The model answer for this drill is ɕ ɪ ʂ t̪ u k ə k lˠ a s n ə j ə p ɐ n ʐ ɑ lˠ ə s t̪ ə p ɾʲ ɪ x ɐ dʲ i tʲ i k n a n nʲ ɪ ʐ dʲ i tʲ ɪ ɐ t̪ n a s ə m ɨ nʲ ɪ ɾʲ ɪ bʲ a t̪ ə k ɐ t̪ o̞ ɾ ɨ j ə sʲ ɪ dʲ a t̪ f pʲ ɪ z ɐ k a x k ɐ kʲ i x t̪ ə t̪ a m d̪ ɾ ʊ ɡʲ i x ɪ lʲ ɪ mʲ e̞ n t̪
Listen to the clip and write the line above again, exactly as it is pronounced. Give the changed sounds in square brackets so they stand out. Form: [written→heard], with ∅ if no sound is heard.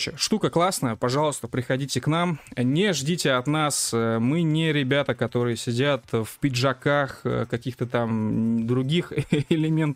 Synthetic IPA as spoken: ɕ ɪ ʂ t̪ u k ə k lˠ a s n ə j ə p ɐ [n→∅] ʐ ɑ lˠ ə s t̪ ə p ɾʲ ɪ x ɐ dʲ i tʲ [i→ɪ] k n a [n→m] nʲ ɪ ʐ dʲ i tʲ ɪ ɐ t̪ n a s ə m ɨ nʲ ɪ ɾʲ ɪ bʲ a t̪ ə k ɐ t̪ o̞ ɾ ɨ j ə sʲ ɪ dʲ a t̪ f pʲ ɪ [z→ʐ] ɐ k a x k ɐ kʲ i x t̪ ə t̪ a m d̪ ɾ ʊ ɡʲ i x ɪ lʲ ɪ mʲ e̞ n t̪